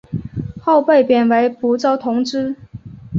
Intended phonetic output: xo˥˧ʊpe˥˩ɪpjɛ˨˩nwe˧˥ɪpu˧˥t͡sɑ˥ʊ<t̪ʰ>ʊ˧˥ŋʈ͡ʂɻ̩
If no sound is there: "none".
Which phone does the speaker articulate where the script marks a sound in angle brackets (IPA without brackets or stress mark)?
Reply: t̪ʰ